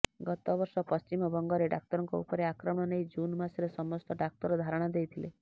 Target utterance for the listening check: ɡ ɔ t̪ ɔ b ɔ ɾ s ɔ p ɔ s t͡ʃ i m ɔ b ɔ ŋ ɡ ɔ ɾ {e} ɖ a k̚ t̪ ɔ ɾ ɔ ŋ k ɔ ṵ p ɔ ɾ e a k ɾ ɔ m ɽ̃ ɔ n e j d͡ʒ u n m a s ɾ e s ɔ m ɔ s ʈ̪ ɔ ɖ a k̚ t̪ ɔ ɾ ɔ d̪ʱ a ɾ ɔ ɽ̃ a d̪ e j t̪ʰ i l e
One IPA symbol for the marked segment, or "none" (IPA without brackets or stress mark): e